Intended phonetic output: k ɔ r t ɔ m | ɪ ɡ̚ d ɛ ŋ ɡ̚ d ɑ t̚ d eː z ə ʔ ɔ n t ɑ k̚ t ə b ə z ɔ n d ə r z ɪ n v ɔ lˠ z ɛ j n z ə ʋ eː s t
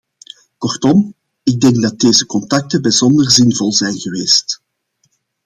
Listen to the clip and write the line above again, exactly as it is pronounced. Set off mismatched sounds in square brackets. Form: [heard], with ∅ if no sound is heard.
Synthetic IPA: k ɔ r t ɔ m | ɪ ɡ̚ d ɛ ŋ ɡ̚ d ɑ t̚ d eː z ə [k] ɔ n t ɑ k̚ t ə b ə z ɔ n d ə r z ɪ n v ɔ lˠ z ɛ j n [ɣ] ə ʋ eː s t